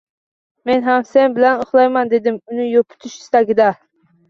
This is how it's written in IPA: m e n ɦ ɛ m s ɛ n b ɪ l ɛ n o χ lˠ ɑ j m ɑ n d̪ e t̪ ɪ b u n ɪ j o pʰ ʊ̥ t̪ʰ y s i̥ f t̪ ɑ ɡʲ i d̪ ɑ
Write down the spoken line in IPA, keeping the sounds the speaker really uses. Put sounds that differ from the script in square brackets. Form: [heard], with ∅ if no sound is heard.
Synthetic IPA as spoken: m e n ɦ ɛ m s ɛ n b ɪ l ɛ n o χ lˠ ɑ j m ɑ n d̪ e [d̪] ɪ [m] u n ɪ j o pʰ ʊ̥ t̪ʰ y [ʃ] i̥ [s] t̪ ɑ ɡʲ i d̪ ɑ